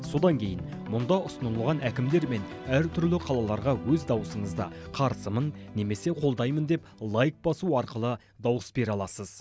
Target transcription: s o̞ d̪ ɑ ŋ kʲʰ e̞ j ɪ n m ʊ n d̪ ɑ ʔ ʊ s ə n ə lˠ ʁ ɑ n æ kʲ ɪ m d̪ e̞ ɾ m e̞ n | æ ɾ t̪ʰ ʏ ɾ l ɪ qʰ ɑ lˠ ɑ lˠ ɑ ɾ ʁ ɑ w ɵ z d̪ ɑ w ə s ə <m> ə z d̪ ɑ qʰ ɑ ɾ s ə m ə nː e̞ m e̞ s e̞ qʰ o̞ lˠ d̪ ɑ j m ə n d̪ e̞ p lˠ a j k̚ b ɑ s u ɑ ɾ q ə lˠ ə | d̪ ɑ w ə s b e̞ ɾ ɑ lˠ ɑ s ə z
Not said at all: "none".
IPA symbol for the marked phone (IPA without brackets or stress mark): ɴ